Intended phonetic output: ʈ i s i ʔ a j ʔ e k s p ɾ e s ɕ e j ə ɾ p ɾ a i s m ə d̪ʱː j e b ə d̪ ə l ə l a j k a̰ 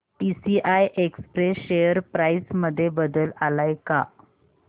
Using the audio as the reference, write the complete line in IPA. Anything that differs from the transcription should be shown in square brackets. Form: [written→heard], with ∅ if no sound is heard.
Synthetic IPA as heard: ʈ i s i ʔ a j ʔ e k s p ɾ e s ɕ e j ə ɾ p ɾ a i s m ə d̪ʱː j e b ə d̪ ə l [ə→a] l a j k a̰